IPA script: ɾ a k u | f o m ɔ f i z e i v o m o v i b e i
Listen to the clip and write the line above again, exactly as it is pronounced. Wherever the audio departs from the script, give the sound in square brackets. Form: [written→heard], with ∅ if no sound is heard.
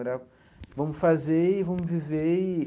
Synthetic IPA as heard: ɾ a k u | [f→v] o m [ɔ→u] f [i→a] z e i v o m [o→u] v i [b→v] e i

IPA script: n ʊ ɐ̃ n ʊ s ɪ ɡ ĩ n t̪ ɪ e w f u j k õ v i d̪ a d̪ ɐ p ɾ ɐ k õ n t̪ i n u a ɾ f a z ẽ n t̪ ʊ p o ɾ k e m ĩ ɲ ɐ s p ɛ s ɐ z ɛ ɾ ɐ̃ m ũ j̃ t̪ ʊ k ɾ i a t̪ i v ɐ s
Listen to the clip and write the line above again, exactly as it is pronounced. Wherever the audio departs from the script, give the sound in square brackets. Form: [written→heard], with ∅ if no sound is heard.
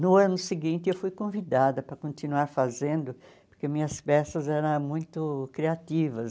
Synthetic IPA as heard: n ʊ ɐ̃ n ʊ s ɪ ɡ ĩ n t̪ ɪ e w f u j k õ v i d̪ a d̪ ɐ p ɾ ɐ k õ n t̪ i n u a ɾ f a z ẽ n [t̪→d̪] ʊ p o ɾ k e m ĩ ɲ ɐ s p ɛ s ɐ z ɛ ɾ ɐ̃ m ũ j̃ t̪ ʊ k ɾ i a t̪ i v ɐ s

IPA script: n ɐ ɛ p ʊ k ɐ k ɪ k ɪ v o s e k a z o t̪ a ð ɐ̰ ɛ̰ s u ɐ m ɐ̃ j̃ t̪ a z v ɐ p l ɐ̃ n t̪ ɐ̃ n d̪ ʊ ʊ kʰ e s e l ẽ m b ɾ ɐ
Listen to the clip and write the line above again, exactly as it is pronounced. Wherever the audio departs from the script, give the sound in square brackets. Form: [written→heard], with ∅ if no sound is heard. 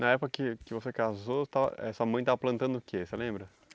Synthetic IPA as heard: n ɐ ɛ p ʊ k ɐ k ɪ k ɪ v o s e k a z o t̪ a [ð→v] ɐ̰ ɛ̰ s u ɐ m ɐ̃ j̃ t̪ a [z→∅] v ɐ p l ɐ̃ n t̪ ɐ̃ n d̪ ʊ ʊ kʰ e s e l ẽ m b ɾ ɐ

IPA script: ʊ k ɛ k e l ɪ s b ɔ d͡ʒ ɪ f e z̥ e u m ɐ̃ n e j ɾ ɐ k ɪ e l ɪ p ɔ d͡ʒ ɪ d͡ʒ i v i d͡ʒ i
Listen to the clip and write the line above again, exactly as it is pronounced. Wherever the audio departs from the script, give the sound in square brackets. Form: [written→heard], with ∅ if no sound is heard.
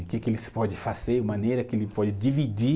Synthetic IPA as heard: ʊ k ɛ k e l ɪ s [b→p] ɔ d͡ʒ ɪ f [e→a] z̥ e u m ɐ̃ n e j ɾ ɐ k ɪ e l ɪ p ɔ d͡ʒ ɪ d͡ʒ i v i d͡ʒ i

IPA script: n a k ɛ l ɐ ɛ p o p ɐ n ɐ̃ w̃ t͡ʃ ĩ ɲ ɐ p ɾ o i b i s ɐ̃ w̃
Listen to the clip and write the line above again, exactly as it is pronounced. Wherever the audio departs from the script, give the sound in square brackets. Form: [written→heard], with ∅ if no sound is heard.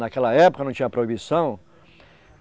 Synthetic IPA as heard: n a k ɛ l ɐ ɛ p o [p→k] ɐ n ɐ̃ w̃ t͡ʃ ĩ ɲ ɐ p ɾ o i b i s ɐ̃ w̃

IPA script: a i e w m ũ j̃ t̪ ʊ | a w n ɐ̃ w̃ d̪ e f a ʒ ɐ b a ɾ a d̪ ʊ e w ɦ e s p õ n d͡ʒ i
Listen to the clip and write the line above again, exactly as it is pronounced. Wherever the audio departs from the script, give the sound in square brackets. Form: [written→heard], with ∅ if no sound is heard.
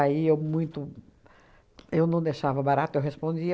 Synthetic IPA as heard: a i e w m ũ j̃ t̪ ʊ | [a→e] w n ɐ̃ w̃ d̪ e [f→ʃ] a [ʒ→v] ɐ b a ɾ a [d̪→t̪] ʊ e w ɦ e s p õ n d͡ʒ i

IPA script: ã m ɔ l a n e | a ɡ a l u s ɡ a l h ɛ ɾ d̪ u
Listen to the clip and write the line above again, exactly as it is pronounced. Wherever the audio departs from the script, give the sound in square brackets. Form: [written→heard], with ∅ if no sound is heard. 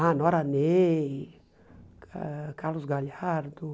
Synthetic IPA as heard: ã [m→n] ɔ [l→ɾ] a n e | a [ɡ→k] a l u s ɡ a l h [ɛ→a] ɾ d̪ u

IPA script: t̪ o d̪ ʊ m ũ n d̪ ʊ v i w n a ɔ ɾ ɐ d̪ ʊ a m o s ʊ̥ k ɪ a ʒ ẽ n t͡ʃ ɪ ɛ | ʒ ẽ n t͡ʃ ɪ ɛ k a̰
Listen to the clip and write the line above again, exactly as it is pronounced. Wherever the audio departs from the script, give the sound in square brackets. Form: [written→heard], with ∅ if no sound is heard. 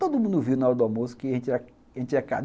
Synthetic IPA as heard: t̪ o d̪ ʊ m ũ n d̪ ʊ v i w n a ɔ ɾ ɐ d̪ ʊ a m o s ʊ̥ k ɪ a ʒ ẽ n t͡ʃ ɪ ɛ | ʒ ẽ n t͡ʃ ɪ ɛ k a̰

